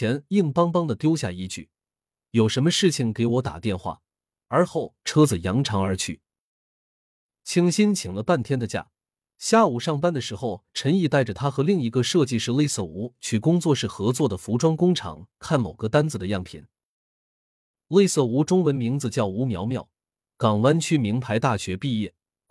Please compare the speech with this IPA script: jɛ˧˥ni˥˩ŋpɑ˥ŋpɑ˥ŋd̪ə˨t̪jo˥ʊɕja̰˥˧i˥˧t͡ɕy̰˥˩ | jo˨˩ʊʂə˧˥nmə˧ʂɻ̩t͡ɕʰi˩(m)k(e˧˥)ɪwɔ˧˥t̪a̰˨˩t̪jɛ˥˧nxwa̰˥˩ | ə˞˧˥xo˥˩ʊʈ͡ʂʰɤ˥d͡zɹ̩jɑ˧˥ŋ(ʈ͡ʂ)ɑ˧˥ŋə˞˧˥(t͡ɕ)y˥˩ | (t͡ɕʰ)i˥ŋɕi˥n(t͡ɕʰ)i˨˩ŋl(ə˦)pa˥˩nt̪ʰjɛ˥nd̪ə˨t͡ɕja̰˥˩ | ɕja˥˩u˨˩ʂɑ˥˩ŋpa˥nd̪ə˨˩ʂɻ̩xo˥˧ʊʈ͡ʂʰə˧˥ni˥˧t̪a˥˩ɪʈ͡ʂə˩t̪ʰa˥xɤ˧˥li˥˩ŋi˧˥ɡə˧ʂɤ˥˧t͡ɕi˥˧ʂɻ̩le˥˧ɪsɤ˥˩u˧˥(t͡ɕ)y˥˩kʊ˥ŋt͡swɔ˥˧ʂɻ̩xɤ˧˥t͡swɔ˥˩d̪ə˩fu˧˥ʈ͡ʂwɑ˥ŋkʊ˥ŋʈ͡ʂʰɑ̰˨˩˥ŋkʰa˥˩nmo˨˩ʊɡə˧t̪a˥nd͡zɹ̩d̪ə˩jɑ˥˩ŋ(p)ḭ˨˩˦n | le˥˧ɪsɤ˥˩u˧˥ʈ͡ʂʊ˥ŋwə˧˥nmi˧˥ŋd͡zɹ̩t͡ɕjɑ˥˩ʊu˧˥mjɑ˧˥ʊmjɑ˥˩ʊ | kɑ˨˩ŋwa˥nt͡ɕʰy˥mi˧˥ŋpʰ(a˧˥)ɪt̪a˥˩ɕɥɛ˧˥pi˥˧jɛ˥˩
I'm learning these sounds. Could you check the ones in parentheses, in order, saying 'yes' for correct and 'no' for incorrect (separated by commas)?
no, yes, no, no, yes, yes, yes, no, no, yes